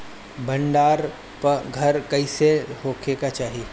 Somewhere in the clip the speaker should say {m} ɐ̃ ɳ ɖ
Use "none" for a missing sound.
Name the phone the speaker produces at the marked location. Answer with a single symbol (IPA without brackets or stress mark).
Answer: b